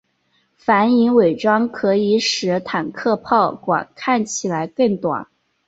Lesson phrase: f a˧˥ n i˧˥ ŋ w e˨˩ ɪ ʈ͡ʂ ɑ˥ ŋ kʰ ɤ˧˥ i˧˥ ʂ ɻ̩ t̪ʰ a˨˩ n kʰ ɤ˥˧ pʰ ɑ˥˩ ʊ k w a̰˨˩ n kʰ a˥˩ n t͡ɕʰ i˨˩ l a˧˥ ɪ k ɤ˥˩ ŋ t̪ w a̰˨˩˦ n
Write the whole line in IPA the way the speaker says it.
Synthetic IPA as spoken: f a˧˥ n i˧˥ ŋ w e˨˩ ɪ ʈ͡ʂ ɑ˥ ŋ kʰ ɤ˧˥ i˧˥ ʂ ɻ̩ t̪ʰ a˨˩ n kʰ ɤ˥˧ pʰ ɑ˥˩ ʊ k w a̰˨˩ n kʰ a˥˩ n t͡ɕʰ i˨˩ l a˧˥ ɪ k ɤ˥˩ ŋ t̪ w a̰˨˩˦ n